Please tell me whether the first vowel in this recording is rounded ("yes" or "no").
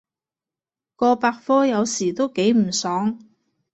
yes